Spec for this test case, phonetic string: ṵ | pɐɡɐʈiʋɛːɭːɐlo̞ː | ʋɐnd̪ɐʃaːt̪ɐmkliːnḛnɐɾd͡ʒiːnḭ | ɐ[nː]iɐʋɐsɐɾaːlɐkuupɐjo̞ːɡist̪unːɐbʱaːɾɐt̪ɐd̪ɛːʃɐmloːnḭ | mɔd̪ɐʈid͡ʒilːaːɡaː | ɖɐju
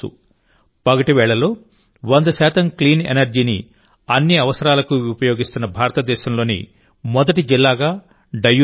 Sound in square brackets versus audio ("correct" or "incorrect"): correct